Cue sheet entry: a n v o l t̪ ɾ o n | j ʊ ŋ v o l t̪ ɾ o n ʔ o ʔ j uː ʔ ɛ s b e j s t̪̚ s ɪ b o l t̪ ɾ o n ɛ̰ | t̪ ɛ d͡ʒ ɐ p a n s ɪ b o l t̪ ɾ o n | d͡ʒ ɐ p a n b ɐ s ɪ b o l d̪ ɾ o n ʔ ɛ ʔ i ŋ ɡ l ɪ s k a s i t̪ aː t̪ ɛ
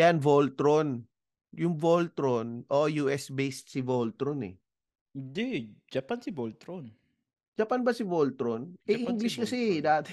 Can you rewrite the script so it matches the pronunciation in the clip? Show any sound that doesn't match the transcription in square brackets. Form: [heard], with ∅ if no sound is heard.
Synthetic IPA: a n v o l t̪ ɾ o n | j ʊ ŋ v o l t̪ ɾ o n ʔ o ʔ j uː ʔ ɛ s b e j s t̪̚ s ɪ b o l t̪ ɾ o n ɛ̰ | [d̪] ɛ d͡ʒ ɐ p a n s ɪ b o l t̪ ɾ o n | d͡ʒ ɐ p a n b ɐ s ɪ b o l [t̪] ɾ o n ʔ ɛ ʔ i ŋ ɡ l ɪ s k [ɐ] s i [d̪] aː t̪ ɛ